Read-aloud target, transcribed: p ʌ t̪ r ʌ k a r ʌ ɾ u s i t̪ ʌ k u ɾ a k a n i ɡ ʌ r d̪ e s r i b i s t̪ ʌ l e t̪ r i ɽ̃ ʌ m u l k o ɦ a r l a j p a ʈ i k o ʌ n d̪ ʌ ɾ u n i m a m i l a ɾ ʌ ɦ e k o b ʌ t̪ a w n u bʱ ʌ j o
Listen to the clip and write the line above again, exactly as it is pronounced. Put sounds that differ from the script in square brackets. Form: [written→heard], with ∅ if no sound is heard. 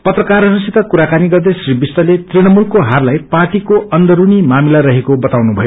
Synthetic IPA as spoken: p ʌ t̪ r ʌ k a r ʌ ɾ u s i t̪ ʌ k u ɾ a k a n i ɡ ʌ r d̪ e s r i b i s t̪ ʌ l e t̪ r i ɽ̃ ʌ m u l k o ɦ a r l a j p a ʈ i k o ʌ n d̪ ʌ ɾ u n i m a m i l a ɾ ʌ ɦ e k o b ʌ t̪ a w n u bʱ ʌ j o